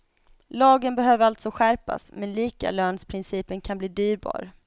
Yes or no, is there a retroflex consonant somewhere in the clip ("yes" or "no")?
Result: no